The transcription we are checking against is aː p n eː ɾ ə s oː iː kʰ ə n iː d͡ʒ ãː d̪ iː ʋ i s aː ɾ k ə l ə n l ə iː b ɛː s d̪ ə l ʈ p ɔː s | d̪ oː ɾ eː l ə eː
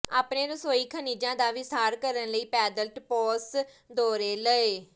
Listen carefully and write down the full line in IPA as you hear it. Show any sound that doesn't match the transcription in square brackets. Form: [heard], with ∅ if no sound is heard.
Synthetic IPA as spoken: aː p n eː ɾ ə s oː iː kʰ ə n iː d͡ʒ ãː d̪ [aː] ʋ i s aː ɾ k ə [ɾ] ə n l ə iː [p] ɛː [∅] d̪ ə l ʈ p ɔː s | d̪ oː ɾ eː l ə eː